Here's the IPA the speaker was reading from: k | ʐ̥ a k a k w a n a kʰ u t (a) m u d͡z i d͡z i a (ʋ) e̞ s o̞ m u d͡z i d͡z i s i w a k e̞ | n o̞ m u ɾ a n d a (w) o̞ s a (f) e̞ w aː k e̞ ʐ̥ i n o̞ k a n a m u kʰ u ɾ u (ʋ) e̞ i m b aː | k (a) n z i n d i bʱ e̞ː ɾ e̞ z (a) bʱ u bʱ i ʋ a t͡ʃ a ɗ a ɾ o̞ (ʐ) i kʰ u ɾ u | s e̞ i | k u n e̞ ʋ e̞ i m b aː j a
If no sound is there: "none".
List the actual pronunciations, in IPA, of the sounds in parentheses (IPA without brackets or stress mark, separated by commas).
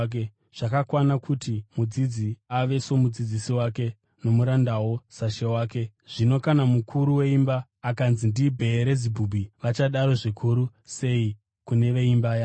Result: i, ʋ, w, ʃ, w, a, i, ʐ